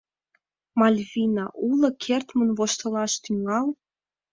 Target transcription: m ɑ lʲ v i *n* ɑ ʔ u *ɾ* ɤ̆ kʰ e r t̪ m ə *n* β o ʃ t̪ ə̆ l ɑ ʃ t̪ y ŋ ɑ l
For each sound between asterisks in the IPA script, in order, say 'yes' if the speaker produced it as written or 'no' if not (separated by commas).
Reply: yes, no, yes